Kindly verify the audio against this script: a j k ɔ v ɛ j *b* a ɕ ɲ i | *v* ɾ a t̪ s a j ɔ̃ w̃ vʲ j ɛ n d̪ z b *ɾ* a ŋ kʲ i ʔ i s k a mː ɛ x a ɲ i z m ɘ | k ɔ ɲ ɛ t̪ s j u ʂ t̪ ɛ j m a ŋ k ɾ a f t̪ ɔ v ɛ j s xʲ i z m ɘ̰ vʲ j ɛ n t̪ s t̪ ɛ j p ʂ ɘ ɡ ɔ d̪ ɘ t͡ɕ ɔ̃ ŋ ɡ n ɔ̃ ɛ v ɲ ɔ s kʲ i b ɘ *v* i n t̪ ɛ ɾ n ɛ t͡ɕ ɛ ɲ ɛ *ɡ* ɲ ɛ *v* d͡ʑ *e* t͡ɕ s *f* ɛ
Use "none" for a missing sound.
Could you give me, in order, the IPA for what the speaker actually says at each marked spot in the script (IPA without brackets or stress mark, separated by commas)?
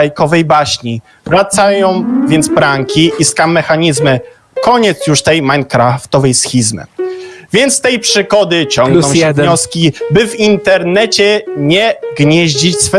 b, v, ɾ, v, ɡ, ʑ, i, f